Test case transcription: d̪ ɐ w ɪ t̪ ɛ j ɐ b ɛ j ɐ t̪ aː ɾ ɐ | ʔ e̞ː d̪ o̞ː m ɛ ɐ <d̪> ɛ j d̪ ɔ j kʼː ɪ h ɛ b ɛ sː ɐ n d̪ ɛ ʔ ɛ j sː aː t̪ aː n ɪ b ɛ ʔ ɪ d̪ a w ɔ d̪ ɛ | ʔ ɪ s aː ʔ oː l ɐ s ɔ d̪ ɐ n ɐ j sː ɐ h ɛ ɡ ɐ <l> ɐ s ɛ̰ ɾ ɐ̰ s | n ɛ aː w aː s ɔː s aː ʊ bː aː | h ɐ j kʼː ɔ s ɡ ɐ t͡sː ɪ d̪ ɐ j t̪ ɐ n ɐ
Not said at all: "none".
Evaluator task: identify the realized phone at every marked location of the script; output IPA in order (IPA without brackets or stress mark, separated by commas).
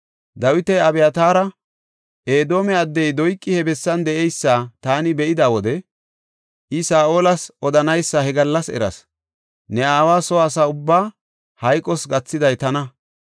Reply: d̪ː, lː